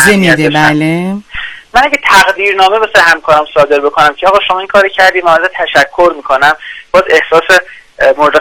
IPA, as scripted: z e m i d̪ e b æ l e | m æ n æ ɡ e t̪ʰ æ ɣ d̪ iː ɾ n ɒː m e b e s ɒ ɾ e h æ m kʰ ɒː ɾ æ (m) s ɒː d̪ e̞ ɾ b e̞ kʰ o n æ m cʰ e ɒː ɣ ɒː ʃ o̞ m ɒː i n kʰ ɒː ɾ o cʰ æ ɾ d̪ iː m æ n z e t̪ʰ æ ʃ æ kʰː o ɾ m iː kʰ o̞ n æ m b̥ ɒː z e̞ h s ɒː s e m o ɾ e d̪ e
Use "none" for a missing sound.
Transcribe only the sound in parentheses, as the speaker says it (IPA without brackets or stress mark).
m